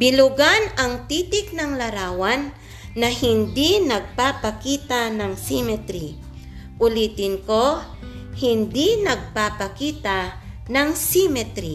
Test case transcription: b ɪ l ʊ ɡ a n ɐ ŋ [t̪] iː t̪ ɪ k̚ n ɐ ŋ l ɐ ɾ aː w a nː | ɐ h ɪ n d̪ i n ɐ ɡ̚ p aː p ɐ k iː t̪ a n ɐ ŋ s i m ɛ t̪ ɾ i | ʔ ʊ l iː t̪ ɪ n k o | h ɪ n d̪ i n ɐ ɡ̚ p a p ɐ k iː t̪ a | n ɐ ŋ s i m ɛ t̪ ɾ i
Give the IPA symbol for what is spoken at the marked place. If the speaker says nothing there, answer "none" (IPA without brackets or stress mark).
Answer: t̪